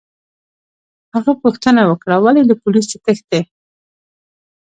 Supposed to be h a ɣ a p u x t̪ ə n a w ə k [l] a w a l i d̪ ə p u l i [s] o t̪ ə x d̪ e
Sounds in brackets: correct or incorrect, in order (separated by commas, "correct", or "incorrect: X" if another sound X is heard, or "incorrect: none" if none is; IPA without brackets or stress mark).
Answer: incorrect: ɽ, correct